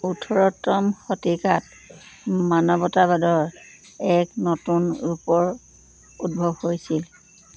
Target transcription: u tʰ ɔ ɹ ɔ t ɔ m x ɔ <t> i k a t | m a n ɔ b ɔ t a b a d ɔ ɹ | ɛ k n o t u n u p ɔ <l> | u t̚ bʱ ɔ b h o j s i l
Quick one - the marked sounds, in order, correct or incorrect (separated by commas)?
correct, incorrect